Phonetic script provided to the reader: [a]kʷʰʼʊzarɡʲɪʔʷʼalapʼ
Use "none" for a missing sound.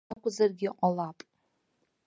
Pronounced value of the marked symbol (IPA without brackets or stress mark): a